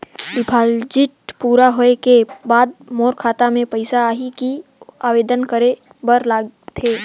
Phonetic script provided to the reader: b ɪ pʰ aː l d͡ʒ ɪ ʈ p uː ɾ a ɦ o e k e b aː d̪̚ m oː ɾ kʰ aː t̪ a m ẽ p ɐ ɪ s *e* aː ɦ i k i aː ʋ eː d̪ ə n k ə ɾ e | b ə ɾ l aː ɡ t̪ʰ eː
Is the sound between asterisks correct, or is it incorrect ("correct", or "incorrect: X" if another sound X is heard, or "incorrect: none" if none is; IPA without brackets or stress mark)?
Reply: incorrect: a